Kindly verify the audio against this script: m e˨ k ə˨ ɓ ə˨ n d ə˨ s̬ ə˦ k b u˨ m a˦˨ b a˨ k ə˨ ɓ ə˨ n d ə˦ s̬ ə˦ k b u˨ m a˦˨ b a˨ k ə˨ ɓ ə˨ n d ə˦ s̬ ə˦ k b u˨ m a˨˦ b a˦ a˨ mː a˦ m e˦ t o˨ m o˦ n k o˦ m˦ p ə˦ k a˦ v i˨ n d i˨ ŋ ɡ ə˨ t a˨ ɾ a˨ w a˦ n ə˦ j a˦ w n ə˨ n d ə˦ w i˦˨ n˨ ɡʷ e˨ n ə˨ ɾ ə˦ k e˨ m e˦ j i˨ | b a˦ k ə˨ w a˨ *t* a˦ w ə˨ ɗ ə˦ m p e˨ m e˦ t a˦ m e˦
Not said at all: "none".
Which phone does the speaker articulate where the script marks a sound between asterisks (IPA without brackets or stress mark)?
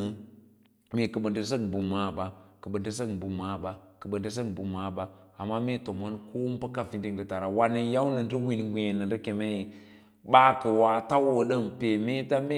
t